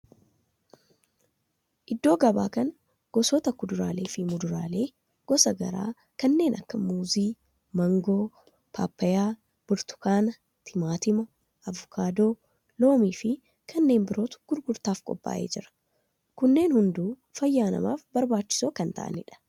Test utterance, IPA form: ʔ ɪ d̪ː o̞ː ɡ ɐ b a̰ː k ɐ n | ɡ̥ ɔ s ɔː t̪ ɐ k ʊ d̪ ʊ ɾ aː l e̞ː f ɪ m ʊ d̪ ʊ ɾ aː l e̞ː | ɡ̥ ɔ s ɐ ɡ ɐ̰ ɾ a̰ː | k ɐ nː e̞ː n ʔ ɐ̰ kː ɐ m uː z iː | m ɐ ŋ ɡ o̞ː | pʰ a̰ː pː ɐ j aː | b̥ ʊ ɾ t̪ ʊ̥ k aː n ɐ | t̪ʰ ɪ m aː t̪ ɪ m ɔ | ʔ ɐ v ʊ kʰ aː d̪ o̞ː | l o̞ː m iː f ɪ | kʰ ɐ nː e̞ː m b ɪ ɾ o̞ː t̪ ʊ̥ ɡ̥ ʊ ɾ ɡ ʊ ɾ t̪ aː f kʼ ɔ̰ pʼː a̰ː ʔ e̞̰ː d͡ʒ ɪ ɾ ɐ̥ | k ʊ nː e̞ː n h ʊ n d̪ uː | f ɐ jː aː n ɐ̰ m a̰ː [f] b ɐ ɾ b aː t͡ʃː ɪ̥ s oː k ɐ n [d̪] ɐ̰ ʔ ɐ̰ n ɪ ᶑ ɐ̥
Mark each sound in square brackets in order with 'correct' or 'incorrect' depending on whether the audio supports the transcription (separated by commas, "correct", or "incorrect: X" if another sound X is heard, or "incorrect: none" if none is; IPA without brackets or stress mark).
correct, incorrect: t̪